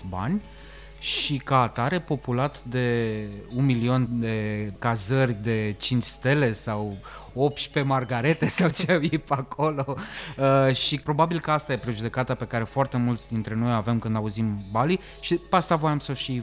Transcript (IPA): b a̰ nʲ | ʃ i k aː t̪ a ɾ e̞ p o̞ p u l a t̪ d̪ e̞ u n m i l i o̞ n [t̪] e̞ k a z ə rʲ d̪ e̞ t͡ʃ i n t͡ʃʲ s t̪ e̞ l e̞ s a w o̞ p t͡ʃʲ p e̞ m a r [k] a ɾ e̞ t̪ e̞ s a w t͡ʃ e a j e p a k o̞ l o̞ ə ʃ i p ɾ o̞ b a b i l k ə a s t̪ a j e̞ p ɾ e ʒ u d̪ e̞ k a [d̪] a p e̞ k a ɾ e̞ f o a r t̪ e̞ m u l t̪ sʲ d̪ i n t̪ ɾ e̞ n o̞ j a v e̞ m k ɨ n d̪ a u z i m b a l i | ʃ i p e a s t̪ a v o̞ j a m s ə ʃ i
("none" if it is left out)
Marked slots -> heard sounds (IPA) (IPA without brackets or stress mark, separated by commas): d̪, ɡ, t̪